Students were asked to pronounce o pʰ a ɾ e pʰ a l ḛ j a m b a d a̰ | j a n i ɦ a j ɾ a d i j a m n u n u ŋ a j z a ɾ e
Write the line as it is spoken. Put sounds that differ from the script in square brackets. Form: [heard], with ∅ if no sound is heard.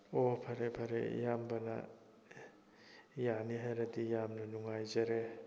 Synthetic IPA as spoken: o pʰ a ɾ e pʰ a [ɾ] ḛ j a m b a [n] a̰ | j a n i ɦ a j ɾ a d i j a m n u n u ŋ a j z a ɾ e